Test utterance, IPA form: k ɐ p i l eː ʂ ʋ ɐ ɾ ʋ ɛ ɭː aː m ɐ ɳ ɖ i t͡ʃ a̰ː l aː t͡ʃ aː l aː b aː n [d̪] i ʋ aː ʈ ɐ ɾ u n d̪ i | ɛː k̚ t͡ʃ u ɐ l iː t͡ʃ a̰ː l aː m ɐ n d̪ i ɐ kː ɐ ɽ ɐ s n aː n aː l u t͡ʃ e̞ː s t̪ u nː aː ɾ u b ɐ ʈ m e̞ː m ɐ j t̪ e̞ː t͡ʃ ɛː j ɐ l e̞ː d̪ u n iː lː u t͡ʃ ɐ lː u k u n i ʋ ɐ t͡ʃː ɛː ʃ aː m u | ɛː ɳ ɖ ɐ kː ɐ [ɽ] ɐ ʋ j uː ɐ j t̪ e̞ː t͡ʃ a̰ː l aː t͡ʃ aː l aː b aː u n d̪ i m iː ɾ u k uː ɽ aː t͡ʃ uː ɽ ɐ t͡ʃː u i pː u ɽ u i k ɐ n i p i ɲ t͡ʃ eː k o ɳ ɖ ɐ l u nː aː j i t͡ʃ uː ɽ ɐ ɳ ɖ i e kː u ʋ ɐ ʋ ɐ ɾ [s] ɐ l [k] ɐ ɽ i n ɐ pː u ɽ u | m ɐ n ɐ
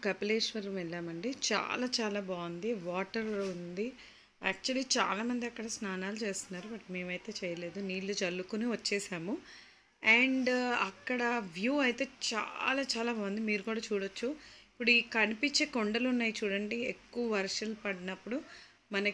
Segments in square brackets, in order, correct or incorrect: correct, correct, incorrect, incorrect

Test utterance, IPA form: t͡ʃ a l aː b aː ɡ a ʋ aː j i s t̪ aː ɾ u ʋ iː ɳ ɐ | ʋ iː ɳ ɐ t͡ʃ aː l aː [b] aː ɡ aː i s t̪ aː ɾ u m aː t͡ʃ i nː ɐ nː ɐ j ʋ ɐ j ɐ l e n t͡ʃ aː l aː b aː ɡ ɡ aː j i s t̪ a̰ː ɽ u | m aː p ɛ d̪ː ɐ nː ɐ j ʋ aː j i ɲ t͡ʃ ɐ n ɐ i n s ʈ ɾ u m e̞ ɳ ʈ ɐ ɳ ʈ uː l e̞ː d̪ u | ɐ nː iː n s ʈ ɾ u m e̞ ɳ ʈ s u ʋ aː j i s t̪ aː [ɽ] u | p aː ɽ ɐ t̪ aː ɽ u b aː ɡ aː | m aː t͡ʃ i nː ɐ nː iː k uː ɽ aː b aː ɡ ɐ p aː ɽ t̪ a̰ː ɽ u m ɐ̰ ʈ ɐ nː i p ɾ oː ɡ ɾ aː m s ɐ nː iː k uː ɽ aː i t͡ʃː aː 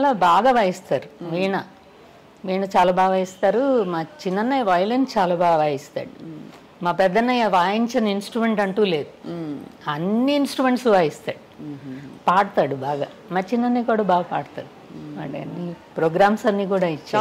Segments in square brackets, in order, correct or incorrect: correct, correct

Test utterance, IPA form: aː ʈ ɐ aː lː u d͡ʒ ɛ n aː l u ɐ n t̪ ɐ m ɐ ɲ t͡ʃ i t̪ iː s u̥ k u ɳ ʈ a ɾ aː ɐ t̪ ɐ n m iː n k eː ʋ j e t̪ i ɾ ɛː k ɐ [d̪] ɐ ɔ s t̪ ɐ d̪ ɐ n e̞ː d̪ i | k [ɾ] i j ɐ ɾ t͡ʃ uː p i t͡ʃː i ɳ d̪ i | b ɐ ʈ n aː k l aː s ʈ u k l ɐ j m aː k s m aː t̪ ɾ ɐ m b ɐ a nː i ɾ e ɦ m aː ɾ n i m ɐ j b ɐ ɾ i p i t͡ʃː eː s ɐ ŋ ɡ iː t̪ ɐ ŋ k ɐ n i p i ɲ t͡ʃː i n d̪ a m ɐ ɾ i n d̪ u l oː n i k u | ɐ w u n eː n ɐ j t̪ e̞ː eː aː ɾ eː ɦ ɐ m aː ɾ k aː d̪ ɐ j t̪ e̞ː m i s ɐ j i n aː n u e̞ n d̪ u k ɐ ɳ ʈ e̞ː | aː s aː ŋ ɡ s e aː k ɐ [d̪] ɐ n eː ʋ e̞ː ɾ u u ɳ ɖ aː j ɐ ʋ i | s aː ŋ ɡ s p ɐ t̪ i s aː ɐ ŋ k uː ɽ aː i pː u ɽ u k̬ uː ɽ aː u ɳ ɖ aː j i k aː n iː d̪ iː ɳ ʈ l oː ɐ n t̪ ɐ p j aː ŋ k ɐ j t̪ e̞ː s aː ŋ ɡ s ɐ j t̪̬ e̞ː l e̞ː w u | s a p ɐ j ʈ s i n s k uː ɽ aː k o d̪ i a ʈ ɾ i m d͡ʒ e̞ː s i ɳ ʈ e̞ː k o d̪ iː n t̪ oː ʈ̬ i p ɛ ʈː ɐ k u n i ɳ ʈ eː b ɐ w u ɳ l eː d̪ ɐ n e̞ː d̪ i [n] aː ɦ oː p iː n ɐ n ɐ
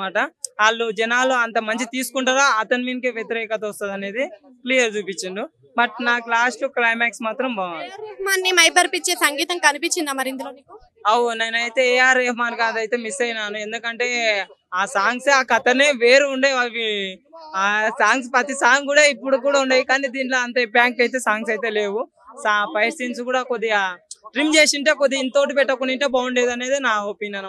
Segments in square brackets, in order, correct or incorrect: incorrect, incorrect, incorrect, correct

